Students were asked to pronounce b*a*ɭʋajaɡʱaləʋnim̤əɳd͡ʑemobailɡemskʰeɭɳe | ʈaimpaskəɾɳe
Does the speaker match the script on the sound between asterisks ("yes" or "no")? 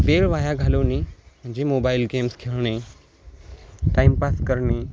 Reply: no